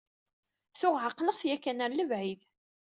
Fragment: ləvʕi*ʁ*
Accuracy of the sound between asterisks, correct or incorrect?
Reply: incorrect